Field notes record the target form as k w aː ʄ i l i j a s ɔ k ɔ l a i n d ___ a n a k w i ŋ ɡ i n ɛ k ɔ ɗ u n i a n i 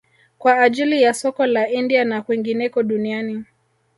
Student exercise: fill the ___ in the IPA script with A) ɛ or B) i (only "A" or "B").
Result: B